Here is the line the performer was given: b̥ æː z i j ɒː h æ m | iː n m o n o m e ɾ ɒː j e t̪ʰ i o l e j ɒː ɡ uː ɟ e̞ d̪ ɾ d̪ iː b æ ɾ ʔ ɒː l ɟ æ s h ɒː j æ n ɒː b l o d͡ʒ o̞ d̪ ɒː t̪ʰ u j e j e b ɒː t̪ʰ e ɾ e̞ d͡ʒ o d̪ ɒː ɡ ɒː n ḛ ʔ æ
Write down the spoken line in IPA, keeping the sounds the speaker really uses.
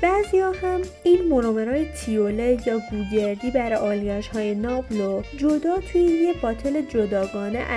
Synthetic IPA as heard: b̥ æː z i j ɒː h æ m | iː n m o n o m e ɾ ɒː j e t̪ʰ i o l e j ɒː ɡ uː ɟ e̞ ɾ d̪ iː b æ ɾ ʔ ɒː l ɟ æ ʃ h ɒː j e n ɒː b l o d͡ʒ o̞ d̪ ɒː t̪ʰ u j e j e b ɒː t̪ʰ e l e̞ d͡ʒ o d̪ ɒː ɡ ɒː n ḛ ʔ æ